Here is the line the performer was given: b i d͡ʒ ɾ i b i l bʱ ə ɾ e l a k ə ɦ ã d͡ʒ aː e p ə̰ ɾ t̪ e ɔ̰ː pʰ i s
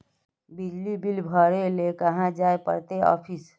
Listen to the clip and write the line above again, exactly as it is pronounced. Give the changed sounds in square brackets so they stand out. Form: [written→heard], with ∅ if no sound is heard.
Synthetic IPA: b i d͡ʒ [ɾ→l] i b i l bʱ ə ɾ e l [a→e] k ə ɦ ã d͡ʒ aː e p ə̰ ɾ t̪ e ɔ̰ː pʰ i s